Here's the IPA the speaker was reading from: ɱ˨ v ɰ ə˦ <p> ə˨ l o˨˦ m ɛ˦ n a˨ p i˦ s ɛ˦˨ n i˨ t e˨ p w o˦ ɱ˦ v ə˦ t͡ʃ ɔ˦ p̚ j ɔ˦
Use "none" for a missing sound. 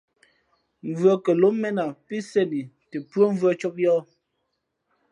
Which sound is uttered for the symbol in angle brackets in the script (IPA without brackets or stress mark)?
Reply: k